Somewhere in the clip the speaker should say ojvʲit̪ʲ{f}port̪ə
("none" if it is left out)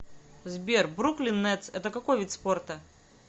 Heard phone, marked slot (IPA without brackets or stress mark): s